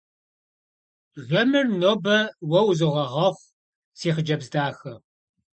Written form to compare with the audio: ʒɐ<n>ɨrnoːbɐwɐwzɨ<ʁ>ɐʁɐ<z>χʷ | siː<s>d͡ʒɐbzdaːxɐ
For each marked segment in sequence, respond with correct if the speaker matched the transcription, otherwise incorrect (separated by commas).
incorrect, correct, incorrect, incorrect